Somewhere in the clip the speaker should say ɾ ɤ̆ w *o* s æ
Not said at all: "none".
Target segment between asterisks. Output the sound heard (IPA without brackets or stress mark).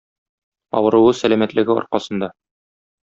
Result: ɤ